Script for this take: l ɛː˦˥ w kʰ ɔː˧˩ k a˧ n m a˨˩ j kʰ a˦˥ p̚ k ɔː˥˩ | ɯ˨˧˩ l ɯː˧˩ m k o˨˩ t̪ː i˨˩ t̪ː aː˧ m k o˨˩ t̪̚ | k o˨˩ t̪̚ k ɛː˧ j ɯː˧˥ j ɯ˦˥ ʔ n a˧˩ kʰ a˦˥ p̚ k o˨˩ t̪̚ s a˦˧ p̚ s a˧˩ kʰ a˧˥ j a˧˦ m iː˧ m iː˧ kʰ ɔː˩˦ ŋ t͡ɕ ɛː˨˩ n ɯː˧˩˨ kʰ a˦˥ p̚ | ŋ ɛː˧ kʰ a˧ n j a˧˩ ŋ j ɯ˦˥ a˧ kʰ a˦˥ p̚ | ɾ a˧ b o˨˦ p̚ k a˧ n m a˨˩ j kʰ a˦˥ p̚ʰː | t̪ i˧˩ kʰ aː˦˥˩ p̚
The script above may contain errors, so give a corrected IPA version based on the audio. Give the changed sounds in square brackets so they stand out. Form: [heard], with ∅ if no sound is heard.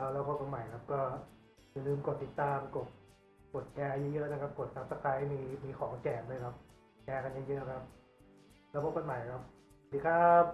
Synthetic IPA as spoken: l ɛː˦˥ w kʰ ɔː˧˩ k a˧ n m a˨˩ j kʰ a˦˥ p̚ k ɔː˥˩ | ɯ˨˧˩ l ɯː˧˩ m k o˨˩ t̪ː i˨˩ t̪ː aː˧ m k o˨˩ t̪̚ | k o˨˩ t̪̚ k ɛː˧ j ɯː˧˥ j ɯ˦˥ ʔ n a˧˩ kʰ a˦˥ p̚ k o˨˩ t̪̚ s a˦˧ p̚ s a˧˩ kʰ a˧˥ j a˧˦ m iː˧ m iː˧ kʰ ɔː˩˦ ŋ t͡ɕ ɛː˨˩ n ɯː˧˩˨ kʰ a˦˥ p̚ | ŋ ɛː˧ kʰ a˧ n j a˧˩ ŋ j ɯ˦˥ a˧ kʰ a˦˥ p̚ | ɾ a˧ b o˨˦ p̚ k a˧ n m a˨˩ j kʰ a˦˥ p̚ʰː | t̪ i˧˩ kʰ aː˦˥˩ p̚